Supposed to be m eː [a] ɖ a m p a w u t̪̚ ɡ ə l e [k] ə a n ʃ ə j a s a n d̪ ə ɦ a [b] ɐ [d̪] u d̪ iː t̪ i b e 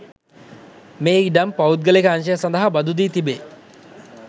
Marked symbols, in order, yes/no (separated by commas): no, yes, yes, yes